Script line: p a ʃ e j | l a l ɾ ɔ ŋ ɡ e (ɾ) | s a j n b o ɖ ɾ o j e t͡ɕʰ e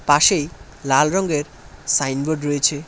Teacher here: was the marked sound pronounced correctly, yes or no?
yes